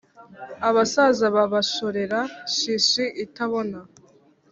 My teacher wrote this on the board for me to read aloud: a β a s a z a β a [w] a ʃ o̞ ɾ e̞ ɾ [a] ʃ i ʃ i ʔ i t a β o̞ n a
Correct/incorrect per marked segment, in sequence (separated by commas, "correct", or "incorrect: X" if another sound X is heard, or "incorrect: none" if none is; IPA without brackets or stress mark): incorrect: β, correct